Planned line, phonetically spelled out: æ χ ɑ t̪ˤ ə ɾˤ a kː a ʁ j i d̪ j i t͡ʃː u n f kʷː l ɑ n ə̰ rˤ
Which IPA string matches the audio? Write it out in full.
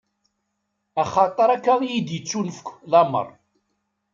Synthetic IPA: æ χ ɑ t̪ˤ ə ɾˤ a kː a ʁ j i d̪ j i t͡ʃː u n f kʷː l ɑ m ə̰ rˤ